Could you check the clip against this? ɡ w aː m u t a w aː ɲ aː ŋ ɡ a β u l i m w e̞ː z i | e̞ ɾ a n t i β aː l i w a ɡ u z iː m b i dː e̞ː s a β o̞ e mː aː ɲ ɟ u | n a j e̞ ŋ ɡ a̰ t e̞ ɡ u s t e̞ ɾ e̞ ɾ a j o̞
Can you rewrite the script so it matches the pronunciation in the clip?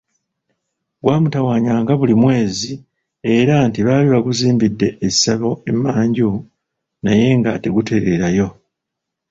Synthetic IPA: ɡ w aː m u t a w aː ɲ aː ŋ ɡ a β u l i m w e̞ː z i | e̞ ɾ a n t i β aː l i β a ɡ u z iː m b i dː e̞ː s a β o̞ e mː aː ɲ ɟ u | n a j e̞ ŋ ɡ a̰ t e̞ ɡ u t e̞ ɾ e̞ ɾ a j o̞